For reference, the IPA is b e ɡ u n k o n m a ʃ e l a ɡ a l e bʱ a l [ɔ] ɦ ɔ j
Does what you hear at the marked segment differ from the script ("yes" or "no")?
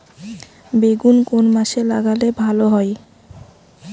yes